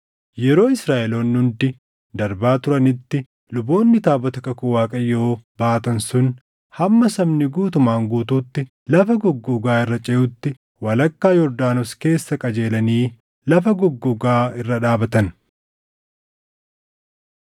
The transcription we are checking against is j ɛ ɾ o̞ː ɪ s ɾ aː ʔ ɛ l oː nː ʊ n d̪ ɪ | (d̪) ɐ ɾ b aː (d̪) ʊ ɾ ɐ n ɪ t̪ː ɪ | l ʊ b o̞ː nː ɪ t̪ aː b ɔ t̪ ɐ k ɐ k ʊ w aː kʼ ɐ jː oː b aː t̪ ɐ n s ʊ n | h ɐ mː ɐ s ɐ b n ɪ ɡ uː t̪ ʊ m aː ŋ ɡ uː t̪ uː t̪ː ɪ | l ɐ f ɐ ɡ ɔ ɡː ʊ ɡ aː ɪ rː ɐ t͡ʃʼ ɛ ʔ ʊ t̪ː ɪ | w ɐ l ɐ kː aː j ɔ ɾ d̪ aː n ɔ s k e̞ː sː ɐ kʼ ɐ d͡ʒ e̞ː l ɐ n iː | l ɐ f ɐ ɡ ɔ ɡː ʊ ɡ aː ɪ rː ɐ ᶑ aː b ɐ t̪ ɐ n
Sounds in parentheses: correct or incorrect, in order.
correct, incorrect

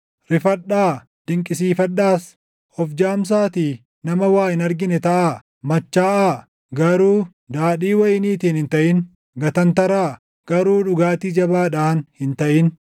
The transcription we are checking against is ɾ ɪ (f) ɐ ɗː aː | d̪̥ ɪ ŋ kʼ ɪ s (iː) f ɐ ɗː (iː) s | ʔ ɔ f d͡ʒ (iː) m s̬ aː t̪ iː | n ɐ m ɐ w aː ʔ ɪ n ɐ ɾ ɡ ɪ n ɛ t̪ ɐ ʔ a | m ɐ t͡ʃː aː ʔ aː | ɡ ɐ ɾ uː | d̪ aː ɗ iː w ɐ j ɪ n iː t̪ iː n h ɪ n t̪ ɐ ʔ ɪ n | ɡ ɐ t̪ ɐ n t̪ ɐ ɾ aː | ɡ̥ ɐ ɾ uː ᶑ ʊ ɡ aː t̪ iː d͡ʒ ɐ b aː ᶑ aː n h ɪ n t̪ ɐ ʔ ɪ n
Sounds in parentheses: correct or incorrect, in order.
correct, correct, incorrect, incorrect

